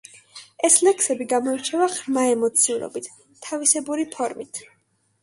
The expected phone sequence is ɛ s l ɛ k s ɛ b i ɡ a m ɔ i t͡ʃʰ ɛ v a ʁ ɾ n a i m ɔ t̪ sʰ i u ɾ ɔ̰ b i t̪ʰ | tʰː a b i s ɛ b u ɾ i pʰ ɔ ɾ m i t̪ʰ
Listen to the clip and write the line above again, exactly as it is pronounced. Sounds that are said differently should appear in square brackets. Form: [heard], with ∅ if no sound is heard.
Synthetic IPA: ɛ s l ɛ k s ɛ b i ɡ a m ɔ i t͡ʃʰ ɛ v a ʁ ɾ [m] a [ɛ] m ɔ t̪ sʰ i u ɾ ɔ̰ b i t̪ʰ | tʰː a [v] i s ɛ b u ɾ i pʰ ɔ ɾ m i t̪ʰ